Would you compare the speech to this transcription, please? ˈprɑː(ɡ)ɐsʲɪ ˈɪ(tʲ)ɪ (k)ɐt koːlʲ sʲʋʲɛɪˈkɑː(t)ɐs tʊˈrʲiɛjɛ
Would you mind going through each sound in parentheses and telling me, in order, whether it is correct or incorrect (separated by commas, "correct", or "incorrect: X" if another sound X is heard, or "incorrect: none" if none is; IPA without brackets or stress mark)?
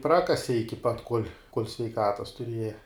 incorrect: k, incorrect: kʲ, incorrect: p, correct